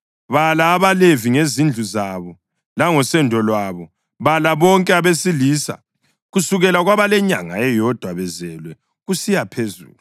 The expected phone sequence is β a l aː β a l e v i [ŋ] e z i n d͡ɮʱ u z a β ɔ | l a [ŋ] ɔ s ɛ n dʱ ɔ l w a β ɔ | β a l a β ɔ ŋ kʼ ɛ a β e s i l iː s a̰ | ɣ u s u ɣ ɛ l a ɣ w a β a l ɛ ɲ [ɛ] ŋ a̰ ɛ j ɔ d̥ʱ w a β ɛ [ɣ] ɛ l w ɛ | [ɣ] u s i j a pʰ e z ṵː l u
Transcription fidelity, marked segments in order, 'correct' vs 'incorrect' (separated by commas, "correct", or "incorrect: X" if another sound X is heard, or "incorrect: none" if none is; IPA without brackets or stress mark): correct, correct, incorrect: a, incorrect: z, correct